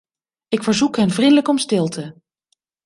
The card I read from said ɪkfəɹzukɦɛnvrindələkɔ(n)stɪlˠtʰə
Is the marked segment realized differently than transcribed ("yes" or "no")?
yes